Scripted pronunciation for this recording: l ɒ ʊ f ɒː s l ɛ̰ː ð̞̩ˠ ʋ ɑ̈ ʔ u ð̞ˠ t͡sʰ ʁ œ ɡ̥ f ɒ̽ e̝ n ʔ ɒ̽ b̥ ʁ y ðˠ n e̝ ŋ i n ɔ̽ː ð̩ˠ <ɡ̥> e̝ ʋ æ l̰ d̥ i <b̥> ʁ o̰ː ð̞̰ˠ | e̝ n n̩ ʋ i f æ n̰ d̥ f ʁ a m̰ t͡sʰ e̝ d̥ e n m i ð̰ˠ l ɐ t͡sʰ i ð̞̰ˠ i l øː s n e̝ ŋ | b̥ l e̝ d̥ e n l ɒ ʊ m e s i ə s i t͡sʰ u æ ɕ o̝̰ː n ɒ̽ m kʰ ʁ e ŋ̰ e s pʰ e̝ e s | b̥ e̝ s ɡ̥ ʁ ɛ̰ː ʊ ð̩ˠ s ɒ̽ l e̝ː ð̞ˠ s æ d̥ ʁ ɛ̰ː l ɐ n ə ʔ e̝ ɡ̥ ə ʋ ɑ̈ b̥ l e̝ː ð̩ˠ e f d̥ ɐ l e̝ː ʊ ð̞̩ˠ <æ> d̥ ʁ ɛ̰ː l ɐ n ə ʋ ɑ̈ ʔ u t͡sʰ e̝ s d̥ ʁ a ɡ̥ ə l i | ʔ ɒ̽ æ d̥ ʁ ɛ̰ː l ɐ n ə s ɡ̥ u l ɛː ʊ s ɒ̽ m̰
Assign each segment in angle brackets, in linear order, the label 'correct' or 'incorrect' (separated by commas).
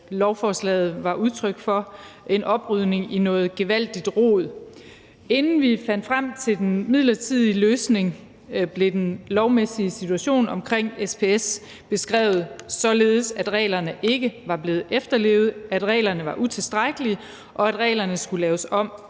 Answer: correct, incorrect, correct